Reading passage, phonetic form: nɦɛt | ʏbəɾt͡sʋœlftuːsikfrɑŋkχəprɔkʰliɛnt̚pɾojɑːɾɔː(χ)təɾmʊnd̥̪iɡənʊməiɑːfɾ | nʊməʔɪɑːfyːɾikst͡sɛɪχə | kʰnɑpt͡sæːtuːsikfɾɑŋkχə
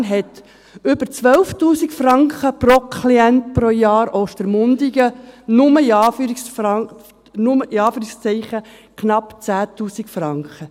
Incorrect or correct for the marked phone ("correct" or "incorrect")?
incorrect